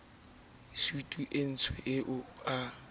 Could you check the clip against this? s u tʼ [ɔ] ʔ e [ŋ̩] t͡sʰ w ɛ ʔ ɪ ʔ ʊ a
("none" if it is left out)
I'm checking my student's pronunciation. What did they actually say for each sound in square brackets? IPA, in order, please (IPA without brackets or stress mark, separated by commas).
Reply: u, n̩